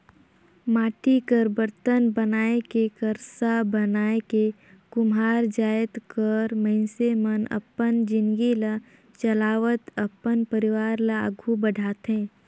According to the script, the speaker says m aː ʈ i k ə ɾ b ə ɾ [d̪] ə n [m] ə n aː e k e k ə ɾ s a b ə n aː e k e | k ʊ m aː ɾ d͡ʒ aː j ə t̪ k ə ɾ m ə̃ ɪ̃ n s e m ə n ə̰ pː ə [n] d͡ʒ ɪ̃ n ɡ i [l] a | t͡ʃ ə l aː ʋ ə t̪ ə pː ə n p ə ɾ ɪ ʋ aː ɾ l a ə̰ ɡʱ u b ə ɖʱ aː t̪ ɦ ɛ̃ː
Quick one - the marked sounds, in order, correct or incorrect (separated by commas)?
incorrect, incorrect, correct, correct